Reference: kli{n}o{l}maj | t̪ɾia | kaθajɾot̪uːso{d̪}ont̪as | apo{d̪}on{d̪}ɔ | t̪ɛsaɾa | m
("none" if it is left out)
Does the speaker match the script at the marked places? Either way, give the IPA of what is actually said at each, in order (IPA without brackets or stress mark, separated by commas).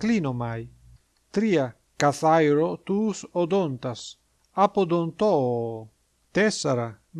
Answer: n, none, d̪, d̪, t̪